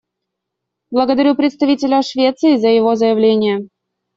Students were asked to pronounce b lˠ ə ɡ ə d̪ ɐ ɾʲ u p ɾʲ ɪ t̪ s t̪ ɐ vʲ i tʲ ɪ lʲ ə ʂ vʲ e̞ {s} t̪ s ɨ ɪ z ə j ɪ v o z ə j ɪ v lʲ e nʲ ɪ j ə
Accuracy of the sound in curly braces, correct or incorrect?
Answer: incorrect